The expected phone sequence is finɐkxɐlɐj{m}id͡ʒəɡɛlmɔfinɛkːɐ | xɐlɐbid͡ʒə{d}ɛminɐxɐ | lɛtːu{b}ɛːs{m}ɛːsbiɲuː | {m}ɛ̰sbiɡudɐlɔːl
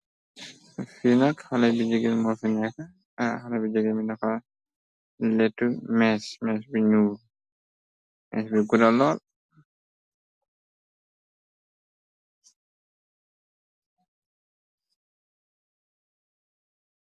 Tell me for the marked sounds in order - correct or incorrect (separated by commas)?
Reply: incorrect, incorrect, incorrect, correct, correct